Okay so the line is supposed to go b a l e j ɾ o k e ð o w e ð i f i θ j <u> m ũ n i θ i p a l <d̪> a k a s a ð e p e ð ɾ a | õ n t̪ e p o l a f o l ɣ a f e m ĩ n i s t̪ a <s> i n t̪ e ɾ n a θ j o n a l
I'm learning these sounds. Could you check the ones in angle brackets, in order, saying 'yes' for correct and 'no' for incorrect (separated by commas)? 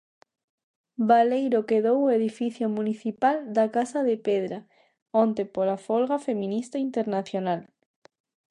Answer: no, yes, no